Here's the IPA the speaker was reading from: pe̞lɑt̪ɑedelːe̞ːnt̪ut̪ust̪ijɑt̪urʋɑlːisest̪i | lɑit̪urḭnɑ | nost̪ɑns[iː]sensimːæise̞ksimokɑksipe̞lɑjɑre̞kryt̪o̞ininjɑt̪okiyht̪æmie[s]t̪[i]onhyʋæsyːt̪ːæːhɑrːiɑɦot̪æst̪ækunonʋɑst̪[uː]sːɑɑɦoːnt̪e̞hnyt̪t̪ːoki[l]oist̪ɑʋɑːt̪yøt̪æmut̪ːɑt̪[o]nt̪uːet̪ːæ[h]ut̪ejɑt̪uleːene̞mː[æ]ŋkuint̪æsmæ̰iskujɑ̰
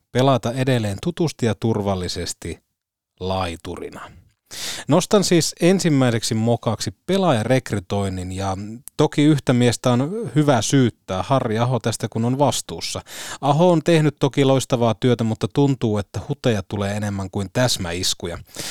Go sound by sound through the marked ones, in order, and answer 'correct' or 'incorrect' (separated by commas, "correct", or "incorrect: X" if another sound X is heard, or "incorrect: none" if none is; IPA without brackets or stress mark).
correct, correct, incorrect: æ, correct, correct, incorrect: u, correct, correct